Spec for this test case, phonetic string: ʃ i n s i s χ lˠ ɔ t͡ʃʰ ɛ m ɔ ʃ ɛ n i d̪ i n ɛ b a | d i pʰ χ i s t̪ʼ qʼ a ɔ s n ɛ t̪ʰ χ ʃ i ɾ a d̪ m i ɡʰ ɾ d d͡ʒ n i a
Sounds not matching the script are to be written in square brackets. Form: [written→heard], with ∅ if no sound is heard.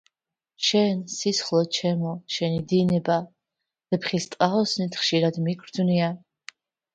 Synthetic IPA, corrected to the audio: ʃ [i→ɛ] n s i s χ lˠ ɔ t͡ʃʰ ɛ m ɔ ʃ ɛ n i d̪ i n ɛ b a | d [i→ɛ] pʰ χ i s t̪ʼ qʼ a ɔ s n [ɛ→i] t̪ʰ χ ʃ i ɾ a d̪ m i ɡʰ ɾ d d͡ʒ n i a